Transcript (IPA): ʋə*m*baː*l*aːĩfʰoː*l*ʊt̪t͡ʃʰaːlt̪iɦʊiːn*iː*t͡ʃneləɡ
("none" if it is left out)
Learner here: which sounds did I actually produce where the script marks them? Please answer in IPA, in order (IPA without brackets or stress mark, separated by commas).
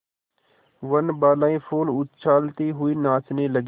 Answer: n, l, l, aː